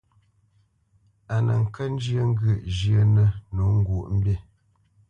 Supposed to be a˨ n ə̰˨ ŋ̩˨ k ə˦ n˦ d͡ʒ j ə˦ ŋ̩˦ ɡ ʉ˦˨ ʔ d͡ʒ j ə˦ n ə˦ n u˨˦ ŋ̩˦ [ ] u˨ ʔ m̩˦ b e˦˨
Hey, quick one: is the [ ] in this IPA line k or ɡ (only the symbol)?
ɡ